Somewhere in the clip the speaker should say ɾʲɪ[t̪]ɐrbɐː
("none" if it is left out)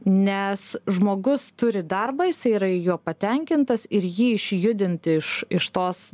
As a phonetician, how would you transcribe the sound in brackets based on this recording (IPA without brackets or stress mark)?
d̪